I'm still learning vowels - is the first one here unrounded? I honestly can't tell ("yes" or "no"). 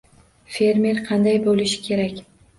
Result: yes